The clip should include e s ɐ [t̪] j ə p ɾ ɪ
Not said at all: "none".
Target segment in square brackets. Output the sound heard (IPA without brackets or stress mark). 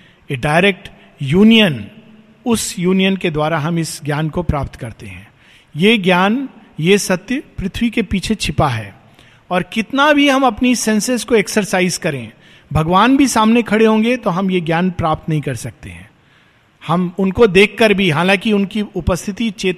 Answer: t̪